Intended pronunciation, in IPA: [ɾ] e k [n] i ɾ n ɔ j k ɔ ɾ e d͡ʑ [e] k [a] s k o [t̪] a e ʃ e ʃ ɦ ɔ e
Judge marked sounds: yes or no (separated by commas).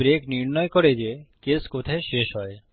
yes, yes, yes, no, no